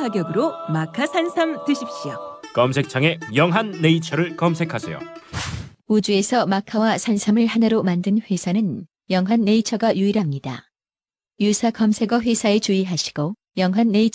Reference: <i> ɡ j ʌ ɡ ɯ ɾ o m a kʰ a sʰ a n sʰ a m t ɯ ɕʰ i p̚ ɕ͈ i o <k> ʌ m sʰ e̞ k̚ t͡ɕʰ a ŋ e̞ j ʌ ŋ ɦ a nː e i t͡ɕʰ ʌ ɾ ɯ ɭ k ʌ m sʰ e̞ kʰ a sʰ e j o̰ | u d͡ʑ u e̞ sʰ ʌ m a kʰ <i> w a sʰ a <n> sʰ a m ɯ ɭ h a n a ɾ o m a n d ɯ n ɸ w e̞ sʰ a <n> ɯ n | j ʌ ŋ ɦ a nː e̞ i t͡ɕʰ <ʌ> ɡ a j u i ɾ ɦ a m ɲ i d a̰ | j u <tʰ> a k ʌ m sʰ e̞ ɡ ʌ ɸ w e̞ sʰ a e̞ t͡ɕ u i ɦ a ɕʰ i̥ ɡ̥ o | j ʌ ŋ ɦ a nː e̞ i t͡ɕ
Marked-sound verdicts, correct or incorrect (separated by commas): incorrect, correct, incorrect, correct, correct, correct, incorrect